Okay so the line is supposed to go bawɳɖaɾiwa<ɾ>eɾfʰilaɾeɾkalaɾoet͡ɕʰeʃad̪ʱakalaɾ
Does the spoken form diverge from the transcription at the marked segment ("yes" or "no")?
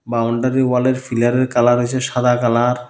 yes